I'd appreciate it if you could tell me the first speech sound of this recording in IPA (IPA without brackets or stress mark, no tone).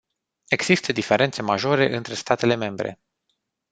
e̞